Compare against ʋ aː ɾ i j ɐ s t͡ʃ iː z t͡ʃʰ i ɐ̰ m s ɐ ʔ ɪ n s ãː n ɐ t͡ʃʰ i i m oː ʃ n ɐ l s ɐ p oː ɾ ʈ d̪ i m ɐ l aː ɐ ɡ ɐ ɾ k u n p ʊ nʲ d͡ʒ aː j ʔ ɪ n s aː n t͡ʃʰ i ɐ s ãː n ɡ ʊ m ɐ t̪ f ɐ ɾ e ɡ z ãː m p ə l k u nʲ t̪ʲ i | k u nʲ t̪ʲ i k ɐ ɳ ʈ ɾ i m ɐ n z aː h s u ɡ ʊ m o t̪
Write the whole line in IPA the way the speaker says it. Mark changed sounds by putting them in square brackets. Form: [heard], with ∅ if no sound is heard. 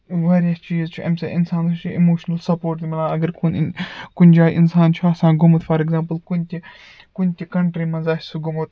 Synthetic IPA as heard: ʋ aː ɾ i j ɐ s t͡ʃ iː z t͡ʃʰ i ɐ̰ m s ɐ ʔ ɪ n s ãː n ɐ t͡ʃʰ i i m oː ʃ n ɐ l s ɐ p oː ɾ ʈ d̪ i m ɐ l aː ɐ ɡ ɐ ɾ k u n [k] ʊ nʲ d͡ʒ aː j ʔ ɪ n s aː n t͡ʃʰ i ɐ s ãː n ɡ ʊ m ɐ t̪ f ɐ ɾ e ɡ z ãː m p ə l k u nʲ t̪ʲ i | k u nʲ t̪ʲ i k ɐ ɳ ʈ ɾ i m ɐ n z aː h s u ɡ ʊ m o t̪